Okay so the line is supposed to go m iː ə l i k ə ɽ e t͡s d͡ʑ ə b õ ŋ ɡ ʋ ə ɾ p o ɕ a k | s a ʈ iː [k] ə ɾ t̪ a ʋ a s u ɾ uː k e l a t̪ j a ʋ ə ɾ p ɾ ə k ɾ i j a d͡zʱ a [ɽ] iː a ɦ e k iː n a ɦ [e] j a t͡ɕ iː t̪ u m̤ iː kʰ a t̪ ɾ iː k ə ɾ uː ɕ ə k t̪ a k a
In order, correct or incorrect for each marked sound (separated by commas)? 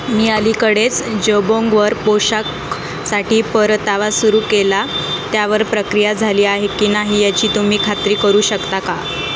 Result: incorrect, incorrect, incorrect